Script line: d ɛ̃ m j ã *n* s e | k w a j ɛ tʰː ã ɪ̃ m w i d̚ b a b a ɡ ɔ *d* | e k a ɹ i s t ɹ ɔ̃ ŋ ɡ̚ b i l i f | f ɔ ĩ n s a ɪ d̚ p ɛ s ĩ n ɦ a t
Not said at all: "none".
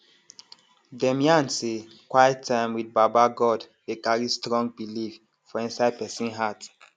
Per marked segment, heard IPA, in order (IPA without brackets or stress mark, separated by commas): n, d